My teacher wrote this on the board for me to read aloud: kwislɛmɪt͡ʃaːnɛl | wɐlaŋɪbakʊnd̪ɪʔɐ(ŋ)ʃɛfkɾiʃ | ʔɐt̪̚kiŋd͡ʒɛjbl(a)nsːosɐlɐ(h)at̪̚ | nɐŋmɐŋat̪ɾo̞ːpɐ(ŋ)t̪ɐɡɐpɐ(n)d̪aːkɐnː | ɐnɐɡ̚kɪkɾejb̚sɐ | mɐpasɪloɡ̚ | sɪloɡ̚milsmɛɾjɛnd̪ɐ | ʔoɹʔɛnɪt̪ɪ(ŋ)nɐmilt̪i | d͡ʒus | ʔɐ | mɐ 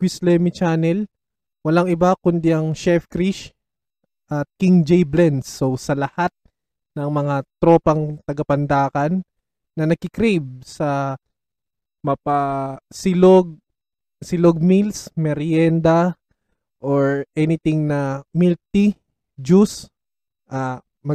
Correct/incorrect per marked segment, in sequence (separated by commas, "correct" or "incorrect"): correct, incorrect, correct, correct, correct, correct